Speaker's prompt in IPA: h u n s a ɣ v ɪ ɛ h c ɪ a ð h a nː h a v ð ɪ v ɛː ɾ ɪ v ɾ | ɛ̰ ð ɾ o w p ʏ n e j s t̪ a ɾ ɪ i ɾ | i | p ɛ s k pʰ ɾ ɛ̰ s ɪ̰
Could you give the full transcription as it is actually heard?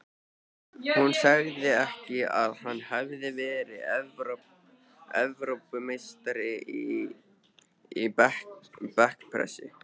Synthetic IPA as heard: h u n s a ɣ ð ɪ ɛ h c ɪ a ð h a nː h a v ð ɪ v ɛː ɾ ɪ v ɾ | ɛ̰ v ɾ o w p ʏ m e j s t̪ a ɾ ɪ i | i | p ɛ h k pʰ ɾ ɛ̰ s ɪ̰